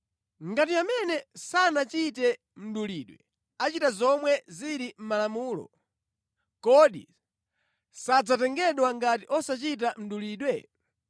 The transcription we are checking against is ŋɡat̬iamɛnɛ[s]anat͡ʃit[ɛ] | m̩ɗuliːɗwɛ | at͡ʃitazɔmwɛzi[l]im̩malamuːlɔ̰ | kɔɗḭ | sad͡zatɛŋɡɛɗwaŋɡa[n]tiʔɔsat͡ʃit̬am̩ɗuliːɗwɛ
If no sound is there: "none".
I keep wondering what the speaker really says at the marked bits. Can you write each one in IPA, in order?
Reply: s, ɛ, ɾ, none

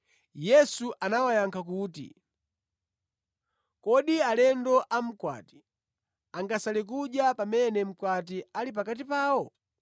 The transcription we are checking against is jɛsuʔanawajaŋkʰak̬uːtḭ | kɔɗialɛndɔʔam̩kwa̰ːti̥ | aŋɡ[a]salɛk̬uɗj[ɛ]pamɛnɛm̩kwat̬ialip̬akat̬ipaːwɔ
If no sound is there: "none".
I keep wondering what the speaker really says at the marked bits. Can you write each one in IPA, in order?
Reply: a, a

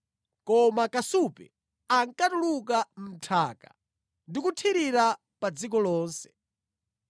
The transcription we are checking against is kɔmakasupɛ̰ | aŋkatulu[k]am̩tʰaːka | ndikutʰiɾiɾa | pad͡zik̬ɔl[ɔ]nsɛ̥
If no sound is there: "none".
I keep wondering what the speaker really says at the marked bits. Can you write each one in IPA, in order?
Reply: k, ɔː

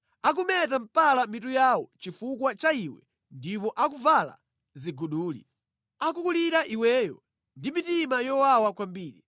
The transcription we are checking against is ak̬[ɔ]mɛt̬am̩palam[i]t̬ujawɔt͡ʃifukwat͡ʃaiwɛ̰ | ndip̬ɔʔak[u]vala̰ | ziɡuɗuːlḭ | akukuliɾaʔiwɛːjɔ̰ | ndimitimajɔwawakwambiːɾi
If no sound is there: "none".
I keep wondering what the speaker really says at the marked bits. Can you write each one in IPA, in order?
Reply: u, i, u

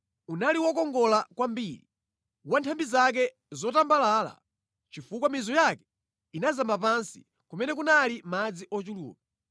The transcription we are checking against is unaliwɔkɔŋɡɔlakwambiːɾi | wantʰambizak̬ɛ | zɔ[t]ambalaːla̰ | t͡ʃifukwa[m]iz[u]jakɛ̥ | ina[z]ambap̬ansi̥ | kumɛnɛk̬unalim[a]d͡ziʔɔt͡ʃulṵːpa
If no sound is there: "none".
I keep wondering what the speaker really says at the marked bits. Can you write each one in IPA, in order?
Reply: t, m, ɔ, z, a

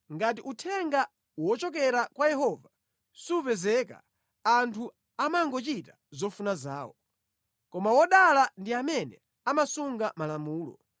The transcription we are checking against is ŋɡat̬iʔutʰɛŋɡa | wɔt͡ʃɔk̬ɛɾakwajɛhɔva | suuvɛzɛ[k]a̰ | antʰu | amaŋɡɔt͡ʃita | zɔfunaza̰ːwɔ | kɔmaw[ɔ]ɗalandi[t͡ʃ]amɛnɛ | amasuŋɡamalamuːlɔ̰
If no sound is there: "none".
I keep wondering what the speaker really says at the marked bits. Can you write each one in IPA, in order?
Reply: k, ɔ, none

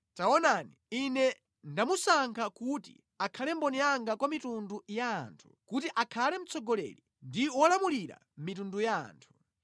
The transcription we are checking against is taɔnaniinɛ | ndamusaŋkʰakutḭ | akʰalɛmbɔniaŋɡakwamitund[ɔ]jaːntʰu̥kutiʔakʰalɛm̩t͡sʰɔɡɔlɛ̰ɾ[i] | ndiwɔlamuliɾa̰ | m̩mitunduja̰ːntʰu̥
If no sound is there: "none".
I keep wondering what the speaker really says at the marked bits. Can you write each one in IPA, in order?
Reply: u, i

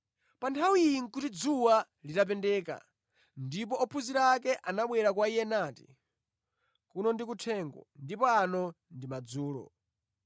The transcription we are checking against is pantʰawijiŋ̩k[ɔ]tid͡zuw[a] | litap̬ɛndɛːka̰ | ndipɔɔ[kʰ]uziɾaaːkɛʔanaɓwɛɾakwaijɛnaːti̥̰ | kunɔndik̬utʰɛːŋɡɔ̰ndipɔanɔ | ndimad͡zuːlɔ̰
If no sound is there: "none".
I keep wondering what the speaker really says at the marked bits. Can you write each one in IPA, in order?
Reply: u, a, pʰ

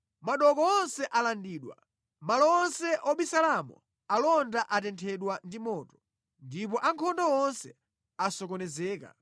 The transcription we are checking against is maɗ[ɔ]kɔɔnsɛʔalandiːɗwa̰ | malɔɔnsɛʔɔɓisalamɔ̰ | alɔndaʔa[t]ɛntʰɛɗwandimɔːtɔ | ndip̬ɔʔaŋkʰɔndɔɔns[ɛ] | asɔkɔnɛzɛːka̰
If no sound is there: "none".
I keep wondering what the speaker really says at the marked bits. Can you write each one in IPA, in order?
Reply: ɔ, t, ɛ

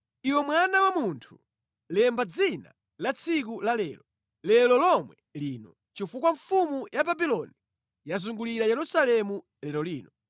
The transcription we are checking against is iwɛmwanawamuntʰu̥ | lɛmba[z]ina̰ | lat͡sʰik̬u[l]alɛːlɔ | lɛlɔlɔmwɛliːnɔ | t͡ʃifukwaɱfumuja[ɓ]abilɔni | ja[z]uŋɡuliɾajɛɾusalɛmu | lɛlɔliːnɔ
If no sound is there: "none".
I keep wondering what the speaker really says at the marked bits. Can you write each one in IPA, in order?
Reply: d͡z, l, b, z

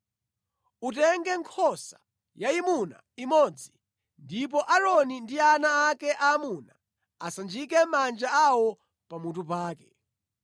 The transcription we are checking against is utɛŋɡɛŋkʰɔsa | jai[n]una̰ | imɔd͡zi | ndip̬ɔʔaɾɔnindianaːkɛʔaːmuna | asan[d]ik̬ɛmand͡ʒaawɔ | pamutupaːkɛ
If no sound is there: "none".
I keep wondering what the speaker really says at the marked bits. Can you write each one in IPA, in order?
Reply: m, d͡ʒ

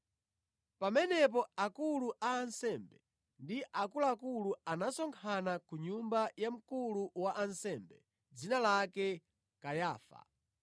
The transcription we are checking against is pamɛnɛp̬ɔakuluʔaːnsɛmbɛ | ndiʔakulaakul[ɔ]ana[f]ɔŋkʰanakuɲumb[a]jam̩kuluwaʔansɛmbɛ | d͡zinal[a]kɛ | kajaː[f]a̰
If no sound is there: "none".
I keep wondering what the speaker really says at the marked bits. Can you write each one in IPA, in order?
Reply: u, s, a, a, f

